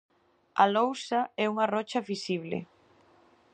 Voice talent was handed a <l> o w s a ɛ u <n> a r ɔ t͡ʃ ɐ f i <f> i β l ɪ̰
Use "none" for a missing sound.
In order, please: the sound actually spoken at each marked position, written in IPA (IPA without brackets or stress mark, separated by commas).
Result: l, ŋ, s